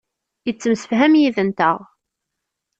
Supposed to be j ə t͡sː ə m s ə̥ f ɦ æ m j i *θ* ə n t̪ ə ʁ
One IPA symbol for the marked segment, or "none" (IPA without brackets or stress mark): ð